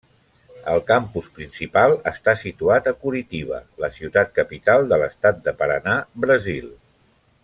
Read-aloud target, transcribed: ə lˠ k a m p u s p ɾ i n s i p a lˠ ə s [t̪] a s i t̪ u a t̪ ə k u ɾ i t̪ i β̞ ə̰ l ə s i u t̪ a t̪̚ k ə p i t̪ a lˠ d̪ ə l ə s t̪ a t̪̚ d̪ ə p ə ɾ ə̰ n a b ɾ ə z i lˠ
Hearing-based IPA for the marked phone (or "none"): t̪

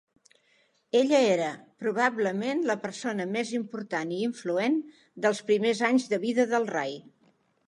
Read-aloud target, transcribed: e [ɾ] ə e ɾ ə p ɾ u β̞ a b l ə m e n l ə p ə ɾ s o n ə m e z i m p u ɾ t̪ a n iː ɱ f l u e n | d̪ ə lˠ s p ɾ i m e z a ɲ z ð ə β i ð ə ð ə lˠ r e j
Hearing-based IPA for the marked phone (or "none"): ʎ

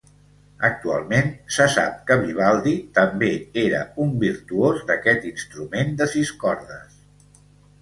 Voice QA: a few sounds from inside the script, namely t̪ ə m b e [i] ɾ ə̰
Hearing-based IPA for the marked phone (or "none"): e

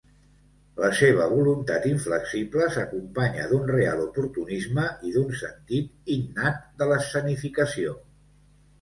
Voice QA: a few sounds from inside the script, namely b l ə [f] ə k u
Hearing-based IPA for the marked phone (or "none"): s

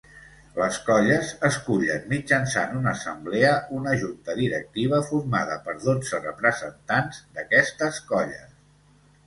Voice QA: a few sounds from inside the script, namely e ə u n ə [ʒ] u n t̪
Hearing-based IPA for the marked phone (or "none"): ʒ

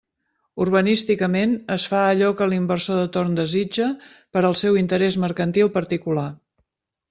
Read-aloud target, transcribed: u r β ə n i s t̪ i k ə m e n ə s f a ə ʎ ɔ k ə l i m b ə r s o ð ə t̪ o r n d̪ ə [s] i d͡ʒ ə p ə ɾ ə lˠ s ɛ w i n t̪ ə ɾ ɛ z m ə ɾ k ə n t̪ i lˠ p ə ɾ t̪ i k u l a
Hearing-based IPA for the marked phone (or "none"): z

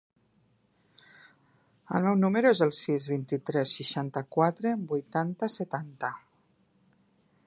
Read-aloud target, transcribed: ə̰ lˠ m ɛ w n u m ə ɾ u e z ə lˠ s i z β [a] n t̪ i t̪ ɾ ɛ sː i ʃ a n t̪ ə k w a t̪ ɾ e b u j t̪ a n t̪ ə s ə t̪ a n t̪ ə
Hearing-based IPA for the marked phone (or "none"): i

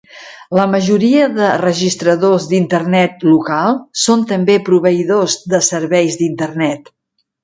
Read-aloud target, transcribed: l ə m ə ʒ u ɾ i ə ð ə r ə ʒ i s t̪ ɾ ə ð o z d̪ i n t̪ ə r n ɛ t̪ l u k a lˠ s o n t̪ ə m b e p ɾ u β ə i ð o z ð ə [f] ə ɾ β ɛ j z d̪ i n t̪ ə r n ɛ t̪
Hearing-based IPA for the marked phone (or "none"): s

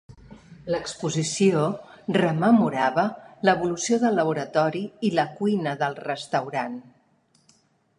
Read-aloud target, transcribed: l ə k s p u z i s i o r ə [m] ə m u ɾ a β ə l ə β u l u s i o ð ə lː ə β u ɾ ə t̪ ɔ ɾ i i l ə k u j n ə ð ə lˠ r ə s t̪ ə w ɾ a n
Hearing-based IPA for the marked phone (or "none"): m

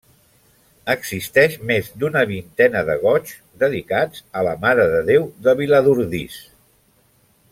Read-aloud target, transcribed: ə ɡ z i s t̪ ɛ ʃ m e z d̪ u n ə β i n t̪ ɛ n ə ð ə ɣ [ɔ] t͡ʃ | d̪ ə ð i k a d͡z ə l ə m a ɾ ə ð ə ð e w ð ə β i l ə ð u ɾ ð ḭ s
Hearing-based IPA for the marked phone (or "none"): ɔ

